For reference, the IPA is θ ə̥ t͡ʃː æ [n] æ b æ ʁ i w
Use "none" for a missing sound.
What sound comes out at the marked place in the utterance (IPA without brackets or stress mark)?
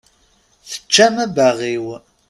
m